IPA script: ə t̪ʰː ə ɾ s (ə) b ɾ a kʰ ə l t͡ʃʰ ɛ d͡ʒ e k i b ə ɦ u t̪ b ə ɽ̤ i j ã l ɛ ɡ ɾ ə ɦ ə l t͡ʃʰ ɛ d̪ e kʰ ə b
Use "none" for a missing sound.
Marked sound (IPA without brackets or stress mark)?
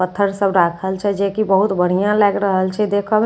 ə